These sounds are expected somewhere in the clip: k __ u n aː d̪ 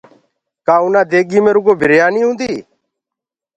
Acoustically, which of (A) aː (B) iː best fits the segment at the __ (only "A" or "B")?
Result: A